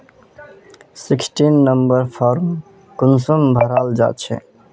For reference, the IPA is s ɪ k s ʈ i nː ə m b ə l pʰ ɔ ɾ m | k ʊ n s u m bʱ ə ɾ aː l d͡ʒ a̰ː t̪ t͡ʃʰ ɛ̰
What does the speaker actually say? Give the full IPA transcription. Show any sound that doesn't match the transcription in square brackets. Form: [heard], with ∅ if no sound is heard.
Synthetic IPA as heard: s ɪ k s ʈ i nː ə m b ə [ɾ] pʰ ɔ ɾ m | k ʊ n s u m bʱ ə ɾ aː l d͡ʒ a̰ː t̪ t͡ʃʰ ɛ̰